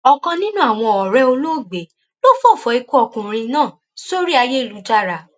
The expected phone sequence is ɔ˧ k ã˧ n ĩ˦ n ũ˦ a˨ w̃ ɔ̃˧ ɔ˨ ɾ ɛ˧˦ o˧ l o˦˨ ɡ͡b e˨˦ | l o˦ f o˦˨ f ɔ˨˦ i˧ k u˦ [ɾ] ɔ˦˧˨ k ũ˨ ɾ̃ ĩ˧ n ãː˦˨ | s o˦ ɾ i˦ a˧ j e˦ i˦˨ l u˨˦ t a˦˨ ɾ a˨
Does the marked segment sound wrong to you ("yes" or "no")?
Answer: yes